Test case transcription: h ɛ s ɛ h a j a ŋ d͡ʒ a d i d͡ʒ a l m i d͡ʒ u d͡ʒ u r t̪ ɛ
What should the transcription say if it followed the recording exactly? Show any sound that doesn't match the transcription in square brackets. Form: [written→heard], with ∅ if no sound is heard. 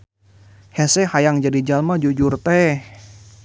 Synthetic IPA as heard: h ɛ s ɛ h a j a ŋ d͡ʒ a d i d͡ʒ a l m [i→a] d͡ʒ u d͡ʒ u r t̪ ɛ